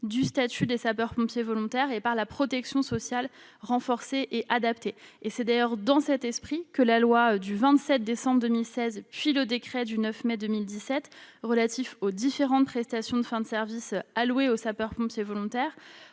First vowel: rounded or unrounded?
rounded